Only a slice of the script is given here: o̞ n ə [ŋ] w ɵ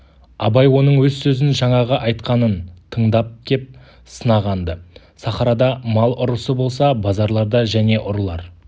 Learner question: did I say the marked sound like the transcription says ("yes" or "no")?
no